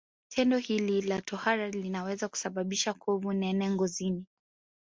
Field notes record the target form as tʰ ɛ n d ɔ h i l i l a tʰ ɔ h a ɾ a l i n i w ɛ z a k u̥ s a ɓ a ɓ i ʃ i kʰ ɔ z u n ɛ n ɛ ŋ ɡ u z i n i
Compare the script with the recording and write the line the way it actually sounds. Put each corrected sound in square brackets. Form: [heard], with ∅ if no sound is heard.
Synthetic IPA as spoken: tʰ ɛ n d ɔ h i l i l a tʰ ɔ h a ɾ a l i n [a] w ɛ z a k u̥ s a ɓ a ɓ i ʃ [a] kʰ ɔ [v] u n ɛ n ɛ ŋ ɡ [ɔ] z i n i